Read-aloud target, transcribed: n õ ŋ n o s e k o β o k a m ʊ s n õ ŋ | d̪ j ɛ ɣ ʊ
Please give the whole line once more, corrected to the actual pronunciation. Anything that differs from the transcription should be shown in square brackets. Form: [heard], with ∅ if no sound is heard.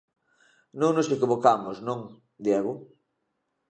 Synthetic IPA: n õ ŋ n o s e k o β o k a m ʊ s n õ ŋ | d̪ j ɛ ɣ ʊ